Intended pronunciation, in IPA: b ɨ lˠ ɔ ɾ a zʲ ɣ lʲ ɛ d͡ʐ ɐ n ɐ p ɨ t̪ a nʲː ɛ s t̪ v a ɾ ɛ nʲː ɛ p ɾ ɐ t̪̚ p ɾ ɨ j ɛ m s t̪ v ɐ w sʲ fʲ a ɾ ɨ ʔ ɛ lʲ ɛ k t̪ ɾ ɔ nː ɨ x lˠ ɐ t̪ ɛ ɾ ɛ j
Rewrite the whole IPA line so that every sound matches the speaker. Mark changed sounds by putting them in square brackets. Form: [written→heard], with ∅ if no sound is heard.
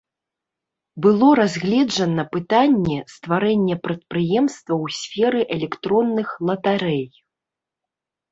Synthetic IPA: b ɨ lˠ ɔ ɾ a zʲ ɣ lʲ ɛ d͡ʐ ɐ n ɐ p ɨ t̪ a nʲː ɛ s t̪ v a ɾ ɛ nʲː ɛ p ɾ ɐ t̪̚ p ɾ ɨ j ɛ m s t̪ v ɐ w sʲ fʲ [a→ɛ] ɾ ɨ ʔ ɛ lʲ ɛ k t̪ ɾ ɔ nː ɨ x lˠ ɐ t̪ [ɛ→a] ɾ ɛ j